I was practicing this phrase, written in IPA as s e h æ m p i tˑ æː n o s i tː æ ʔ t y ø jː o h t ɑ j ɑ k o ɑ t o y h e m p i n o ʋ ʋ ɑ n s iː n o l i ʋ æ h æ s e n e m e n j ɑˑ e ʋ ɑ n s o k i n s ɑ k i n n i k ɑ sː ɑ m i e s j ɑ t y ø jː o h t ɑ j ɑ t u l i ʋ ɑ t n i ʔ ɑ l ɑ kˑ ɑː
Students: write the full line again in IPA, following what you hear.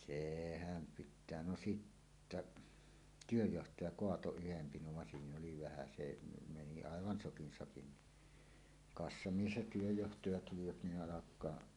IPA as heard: s e h æ m p i tˑ æː n o s i tː æ ʔ t y ø jː o h t ɑ j ɑ k o ɑ t o y h e m p i n o ʋ ʋ ɑ n s iː n o l i ʋ æ h æ s e n e m e n i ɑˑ e ʋ ɑ n s o k i n s ɑ k i n n i k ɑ sː ɑ m i e s j ɑ t y ø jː o h t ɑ j ɑ t u l i ʋ ɑ t n i ʔ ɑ l ɑ kˑ ɑː